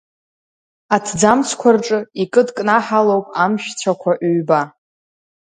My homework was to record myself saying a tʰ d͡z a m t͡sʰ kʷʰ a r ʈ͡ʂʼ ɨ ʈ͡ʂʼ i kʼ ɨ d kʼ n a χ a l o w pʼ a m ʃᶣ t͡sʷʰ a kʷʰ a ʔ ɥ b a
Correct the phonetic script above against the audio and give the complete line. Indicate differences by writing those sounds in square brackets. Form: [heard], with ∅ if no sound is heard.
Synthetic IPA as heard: a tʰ d͡z a m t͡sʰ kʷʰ a r ʈ͡ʂʼ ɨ [∅] i kʼ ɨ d kʼ n a [ħ] a l o w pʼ a m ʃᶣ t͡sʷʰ a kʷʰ a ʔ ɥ b a